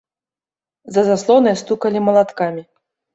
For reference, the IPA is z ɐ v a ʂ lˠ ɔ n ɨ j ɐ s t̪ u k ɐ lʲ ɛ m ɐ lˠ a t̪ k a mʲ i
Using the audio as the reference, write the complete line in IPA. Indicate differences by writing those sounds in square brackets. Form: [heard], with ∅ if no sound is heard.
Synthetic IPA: z ɐ [z] a [s] lˠ ɔ n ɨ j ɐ s t̪ u k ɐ lʲ [i] m ɐ lˠ a t̪ k a mʲ i